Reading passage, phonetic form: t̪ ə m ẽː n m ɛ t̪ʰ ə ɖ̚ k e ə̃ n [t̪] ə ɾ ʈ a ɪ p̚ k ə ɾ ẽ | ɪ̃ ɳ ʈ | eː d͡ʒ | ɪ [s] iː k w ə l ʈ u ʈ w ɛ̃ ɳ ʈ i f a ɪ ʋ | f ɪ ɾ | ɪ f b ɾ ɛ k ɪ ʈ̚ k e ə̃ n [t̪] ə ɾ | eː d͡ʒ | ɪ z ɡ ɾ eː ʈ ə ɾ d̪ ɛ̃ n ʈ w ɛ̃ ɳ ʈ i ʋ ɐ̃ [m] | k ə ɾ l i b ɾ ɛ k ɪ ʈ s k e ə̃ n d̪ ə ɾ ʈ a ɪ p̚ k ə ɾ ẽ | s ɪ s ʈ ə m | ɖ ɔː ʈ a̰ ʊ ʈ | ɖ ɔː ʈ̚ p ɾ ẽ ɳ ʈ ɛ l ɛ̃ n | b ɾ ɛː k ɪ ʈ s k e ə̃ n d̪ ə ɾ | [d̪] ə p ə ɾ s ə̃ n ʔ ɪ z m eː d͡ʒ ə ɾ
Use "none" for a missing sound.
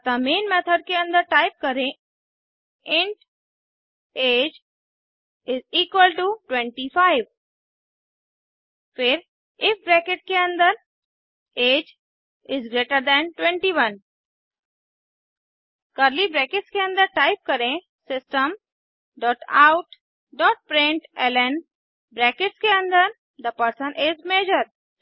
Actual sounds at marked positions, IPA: d̪, z, d̪, n, d̪

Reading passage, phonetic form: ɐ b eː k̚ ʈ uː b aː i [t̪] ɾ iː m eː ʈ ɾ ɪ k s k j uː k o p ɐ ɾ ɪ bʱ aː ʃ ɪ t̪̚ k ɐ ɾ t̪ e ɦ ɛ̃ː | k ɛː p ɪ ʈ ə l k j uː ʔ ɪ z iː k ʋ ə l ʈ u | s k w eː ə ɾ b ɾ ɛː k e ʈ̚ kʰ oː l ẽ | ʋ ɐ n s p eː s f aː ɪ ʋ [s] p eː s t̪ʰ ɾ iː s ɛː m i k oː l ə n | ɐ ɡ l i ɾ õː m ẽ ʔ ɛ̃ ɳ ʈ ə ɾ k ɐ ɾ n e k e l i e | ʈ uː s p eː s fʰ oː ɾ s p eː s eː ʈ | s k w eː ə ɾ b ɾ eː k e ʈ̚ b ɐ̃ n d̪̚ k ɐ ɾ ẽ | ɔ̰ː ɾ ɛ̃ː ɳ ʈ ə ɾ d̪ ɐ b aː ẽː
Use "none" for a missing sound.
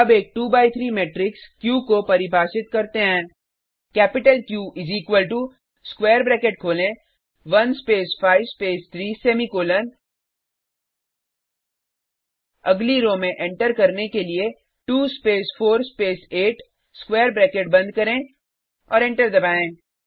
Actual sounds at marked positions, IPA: t̪ʰ, s

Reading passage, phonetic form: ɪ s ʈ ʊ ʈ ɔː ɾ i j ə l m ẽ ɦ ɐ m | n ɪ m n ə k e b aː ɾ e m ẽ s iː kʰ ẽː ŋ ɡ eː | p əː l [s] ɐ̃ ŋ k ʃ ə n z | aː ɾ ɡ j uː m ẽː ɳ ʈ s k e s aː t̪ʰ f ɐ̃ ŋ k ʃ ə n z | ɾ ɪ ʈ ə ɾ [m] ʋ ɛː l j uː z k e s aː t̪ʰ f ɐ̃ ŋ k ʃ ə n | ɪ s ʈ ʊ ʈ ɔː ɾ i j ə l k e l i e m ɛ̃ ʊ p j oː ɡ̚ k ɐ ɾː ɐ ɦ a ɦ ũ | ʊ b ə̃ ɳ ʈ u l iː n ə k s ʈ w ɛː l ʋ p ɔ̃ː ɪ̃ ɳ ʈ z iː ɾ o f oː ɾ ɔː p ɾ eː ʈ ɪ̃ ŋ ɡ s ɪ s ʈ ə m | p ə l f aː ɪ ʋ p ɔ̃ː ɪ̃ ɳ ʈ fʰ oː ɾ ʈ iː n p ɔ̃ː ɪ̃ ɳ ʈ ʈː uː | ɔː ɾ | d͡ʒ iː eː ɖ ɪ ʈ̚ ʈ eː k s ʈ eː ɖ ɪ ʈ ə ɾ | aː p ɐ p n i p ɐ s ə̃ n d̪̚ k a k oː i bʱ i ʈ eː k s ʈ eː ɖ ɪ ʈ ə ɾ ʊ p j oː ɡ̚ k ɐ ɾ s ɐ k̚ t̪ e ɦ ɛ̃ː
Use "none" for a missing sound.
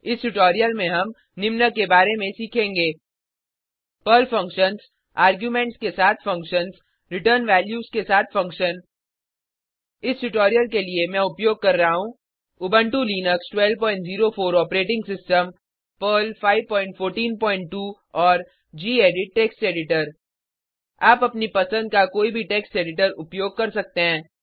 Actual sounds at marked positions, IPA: f, n

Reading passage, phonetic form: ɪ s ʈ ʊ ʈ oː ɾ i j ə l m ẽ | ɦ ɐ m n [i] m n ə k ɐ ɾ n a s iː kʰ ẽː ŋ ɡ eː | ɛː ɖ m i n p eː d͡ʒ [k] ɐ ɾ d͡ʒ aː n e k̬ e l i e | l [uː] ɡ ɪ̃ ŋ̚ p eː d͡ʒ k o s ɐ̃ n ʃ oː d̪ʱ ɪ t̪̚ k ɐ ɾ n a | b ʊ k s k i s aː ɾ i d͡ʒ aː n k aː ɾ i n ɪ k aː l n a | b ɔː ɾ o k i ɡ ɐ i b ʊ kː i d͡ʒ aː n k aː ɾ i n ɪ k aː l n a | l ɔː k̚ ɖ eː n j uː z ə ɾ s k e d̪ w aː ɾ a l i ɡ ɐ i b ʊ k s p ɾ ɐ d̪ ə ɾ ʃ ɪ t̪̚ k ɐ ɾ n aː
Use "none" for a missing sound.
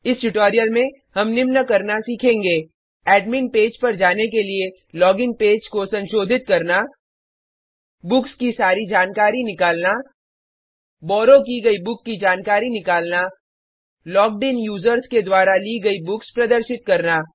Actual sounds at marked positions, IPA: ɪ, p, ɔː

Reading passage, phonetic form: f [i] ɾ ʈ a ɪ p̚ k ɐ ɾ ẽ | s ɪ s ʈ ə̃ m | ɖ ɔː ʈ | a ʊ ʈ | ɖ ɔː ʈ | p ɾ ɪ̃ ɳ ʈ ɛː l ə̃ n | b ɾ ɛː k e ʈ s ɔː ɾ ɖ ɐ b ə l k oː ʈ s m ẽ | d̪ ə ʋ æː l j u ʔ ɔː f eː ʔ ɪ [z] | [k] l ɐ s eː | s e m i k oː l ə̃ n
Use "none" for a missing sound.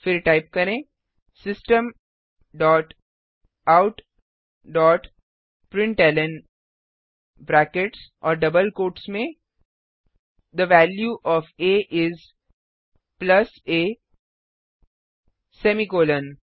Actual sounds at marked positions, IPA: ɪ, z, p

